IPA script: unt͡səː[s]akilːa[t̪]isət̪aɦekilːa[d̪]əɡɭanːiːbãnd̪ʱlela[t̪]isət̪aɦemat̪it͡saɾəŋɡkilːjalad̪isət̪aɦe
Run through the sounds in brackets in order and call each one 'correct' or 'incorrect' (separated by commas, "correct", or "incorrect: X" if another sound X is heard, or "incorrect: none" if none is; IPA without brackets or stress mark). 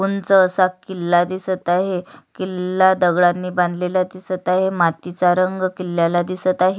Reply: correct, incorrect: d̪, correct, incorrect: d̪